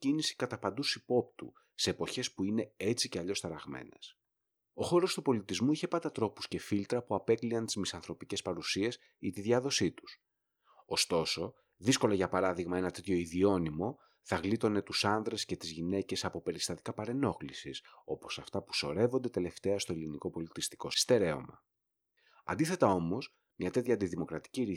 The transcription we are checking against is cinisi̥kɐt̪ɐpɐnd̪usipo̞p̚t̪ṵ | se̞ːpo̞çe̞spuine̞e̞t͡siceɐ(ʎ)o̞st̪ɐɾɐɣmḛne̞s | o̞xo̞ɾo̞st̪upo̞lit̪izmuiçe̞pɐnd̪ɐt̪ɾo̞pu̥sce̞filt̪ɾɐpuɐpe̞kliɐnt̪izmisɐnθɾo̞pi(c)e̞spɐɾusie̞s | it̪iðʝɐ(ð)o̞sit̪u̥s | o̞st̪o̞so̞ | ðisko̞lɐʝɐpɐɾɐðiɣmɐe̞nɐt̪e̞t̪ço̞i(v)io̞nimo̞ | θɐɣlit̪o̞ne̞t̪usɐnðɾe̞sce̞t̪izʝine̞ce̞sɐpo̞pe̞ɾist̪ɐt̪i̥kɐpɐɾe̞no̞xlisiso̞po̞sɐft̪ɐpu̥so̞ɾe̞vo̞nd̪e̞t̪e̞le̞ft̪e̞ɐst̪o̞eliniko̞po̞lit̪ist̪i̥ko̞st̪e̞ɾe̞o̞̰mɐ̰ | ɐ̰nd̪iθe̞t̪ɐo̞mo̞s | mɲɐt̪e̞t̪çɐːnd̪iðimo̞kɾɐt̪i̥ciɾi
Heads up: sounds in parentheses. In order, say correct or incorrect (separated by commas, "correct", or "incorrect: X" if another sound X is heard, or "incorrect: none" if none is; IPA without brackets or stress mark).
correct, correct, correct, incorrect: ð